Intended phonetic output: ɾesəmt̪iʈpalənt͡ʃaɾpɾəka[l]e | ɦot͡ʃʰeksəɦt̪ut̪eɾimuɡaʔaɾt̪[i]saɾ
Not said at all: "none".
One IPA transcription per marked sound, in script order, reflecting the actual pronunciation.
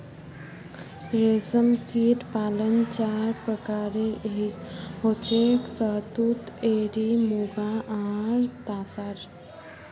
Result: ɾ, a

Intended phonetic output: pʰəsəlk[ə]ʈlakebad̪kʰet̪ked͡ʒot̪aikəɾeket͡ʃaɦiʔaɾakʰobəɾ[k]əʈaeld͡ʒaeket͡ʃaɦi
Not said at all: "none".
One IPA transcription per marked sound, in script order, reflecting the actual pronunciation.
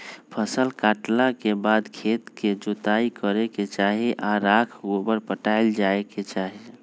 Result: a, p

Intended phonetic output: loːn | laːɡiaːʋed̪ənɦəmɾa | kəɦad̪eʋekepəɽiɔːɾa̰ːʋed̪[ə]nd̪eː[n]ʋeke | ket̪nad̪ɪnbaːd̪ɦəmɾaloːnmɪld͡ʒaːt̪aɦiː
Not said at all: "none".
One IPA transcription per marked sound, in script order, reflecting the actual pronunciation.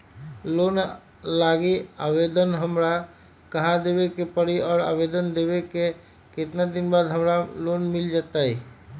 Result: ə, none

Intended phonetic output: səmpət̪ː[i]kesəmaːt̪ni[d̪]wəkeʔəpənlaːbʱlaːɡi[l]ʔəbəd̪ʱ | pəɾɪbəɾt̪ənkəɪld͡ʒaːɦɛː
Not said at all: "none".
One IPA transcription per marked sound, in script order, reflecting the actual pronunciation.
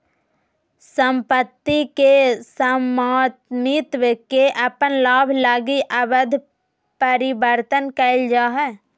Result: i, t̪, none

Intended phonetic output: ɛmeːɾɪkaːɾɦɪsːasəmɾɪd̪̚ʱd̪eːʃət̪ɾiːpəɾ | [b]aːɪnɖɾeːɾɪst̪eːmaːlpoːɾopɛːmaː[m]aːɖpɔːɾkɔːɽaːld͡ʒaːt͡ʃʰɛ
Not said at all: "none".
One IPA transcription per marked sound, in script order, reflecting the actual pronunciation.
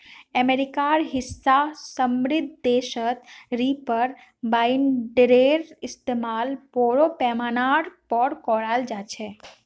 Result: b, n

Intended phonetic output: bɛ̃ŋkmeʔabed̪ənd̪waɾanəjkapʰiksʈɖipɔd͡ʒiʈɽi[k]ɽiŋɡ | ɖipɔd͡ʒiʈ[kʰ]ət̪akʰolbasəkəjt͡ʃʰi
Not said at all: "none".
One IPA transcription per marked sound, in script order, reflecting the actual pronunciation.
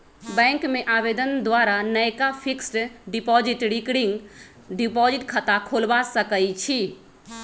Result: k, kʰ

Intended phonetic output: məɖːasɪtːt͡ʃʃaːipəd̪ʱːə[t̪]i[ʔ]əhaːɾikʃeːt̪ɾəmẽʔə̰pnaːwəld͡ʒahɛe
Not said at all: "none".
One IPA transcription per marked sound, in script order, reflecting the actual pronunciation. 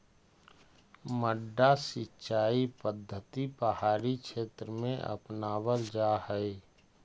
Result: t̪, p

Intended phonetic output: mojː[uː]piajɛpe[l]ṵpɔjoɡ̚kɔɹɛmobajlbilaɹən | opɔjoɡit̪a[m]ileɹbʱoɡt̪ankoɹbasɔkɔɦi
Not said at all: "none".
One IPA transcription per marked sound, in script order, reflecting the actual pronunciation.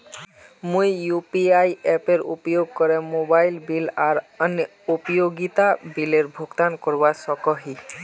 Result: u, ɹ, b

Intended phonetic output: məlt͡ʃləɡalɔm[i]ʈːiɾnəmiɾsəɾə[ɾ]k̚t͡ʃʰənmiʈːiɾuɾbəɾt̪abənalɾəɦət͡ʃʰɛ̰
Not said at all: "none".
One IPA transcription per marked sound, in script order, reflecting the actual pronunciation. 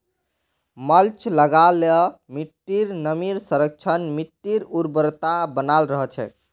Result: i, none

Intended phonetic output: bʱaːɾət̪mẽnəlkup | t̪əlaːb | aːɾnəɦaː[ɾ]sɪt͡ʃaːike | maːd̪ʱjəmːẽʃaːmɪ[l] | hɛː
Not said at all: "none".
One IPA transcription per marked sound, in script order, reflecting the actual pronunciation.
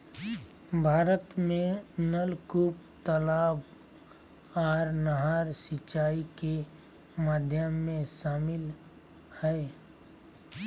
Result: ɾ, l

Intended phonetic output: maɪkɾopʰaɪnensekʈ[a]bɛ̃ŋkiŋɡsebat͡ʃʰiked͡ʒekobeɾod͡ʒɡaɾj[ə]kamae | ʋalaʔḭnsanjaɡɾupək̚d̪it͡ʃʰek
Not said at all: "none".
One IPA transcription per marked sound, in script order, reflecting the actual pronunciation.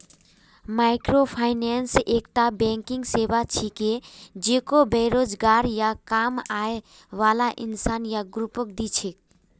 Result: a, a

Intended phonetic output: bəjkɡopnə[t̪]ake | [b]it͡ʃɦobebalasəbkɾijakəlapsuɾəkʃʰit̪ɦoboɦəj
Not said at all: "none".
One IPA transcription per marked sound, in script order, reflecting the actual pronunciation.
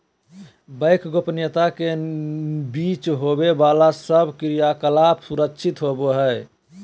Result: t̪, b

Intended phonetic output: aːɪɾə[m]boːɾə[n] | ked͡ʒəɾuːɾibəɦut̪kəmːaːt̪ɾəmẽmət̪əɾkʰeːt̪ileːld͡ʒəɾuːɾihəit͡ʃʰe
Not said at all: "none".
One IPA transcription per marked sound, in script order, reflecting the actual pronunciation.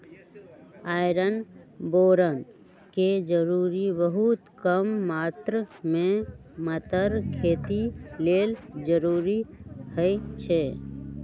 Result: n, n

